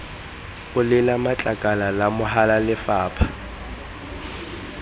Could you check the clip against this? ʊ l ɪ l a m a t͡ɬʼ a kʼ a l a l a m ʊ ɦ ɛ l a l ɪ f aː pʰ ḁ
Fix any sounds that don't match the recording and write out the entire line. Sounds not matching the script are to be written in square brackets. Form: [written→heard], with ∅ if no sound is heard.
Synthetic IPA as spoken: ʊ l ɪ l a m a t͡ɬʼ a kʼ a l a l a m ʊ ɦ [ɛ→a] l a l ɪ f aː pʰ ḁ